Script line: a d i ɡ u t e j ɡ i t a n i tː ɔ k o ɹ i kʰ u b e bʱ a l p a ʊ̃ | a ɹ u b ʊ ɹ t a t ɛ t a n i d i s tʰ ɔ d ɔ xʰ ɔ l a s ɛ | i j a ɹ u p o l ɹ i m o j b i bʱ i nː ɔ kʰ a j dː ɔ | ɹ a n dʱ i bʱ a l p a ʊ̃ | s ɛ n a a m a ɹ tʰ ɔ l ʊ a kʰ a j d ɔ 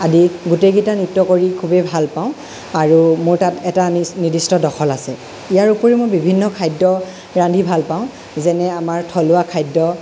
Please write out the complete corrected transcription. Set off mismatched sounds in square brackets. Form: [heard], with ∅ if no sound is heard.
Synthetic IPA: a d i ɡ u t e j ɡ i t a n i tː ɔ k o ɹ i kʰ u b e bʱ a l p a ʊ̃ | a ɹ u [m] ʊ ɹ t a t ɛ t a n i d i s [t] ɔ d ɔ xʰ ɔ l a s ɛ | i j a ɹ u p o [∅] ɹ i m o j b i bʱ i nː ɔ kʰ a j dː ɔ | ɹ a n dʱ i bʱ a l p a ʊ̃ | [z] ɛ n [ɛ] a m a ɹ tʰ ɔ l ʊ a kʰ a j d ɔ